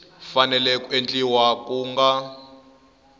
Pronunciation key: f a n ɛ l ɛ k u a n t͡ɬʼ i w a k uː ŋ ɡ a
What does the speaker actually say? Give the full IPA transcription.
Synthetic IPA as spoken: f a n ɛ l ɛ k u e n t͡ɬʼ i w a k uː ŋ ɡ a